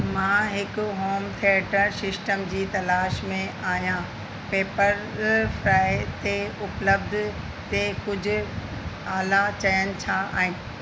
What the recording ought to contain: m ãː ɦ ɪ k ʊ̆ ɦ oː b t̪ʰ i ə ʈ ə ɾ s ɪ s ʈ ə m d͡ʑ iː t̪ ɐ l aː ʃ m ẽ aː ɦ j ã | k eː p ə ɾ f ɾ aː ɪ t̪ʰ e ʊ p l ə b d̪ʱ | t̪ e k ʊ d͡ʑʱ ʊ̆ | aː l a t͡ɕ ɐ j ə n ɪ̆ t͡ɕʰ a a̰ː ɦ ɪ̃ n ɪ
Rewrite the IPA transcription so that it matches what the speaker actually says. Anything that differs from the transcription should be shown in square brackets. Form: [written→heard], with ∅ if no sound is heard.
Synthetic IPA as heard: m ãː ɦ ɪ k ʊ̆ ɦ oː [b→m] t̪ʰ i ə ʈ ə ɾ s ɪ s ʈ ə m d͡ʑ iː t̪ ɐ l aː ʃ m ẽ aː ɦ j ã | [k→p] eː p ə ɾ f ɾ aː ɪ [t̪ʰ→t̪] e ʊ p l ə b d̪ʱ | t̪ e k ʊ d͡ʑʱ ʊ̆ | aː l a t͡ɕ ɐ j ə n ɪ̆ t͡ɕʰ a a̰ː ɦ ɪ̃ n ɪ

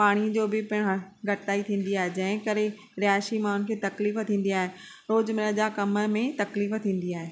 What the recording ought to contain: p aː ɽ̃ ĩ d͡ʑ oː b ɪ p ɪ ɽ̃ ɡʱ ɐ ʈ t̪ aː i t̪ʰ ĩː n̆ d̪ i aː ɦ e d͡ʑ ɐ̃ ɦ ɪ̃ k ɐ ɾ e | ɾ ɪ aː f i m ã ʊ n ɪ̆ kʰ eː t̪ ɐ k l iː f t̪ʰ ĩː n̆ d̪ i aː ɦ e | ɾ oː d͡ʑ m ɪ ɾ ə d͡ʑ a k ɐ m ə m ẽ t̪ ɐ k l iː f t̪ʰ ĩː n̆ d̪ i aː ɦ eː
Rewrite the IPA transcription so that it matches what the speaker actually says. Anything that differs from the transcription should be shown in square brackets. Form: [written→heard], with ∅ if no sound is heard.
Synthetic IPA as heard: p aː ɽ̃ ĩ d͡ʑ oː b ɪ p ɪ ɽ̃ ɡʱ ɐ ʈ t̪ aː i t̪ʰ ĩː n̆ d̪ i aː ɦ e d͡ʑ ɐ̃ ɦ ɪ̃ k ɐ ɾ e | ɾ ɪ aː [f→ʃ] i m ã ʊ n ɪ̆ kʰ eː t̪ ɐ k l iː f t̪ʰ ĩː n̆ d̪ i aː ɦ e | ɾ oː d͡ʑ m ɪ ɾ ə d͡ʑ a k ɐ m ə m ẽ t̪ ɐ k l iː f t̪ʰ ĩː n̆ d̪ i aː ɦ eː

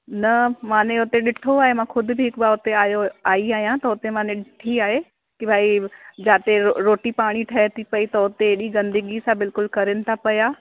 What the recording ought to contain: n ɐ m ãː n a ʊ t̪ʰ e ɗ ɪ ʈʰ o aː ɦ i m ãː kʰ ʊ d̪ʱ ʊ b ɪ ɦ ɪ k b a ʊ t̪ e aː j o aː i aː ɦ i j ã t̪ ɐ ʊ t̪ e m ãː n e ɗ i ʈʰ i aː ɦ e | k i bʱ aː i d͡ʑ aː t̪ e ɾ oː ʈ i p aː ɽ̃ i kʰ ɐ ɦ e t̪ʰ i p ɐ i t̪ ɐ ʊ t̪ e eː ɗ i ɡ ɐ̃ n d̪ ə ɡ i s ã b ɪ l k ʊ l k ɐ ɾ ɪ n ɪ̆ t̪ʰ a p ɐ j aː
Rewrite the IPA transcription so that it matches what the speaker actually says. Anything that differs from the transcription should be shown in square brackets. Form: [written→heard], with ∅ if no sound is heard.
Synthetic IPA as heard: n ɐ m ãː n [a→e] ʊ [t̪ʰ→t̪] e ɗ ɪ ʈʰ o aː ɦ [i→e] m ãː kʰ ʊ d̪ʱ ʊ b ɪ ɦ ɪ k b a ʊ t̪ e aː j o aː i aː ɦ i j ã t̪ ɐ ʊ t̪ e m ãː n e ɗ [i→ɪ] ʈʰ i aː ɦ e | k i bʱ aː i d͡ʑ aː t̪ e ɾ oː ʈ i p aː ɽ̃ i [kʰ→ʈʰ] ɐ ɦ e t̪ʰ i p ɐ i t̪ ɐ ʊ t̪ e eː ɗ i ɡ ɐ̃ n d̪ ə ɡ i s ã b ɪ l k ʊ l k ɐ ɾ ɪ n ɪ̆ t̪ʰ a p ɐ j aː

